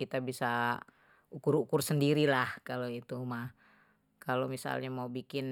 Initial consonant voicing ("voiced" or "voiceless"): voiceless